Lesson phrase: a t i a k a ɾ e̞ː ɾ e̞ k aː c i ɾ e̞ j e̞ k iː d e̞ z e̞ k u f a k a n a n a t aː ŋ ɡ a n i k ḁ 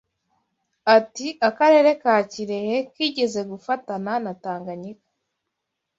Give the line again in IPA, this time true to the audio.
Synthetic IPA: a t i a k a ɾ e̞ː ɾ e̞ k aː c i ɾ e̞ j e̞ k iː ɟ e̞ z e̞ ɡ u f a t a n a n a t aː ŋ ɡ a ɲ i k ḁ